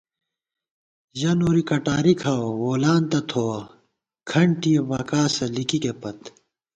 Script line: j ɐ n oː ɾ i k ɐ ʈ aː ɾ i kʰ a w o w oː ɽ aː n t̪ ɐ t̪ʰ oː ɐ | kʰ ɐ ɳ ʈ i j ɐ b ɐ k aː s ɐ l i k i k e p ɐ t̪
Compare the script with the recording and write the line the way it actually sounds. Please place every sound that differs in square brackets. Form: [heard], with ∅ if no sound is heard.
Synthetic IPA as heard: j ɐ n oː ɾ i k ɐ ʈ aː ɾ i kʰ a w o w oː [l] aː n t̪ ɐ t̪ʰ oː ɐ | kʰ ɐ ɳ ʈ i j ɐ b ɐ k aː s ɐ l i k i k e p ɐ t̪